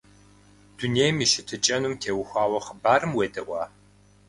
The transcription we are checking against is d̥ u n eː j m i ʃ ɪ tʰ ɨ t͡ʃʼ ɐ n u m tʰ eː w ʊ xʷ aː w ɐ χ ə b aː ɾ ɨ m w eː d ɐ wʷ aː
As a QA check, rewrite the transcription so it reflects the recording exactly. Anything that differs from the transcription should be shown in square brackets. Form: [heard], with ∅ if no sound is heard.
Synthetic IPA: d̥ u n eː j m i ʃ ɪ tʰ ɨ t͡ʃʼ ɐ n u m tʰ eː w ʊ xʷ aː w ɐ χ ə b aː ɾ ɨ m w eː d ɐ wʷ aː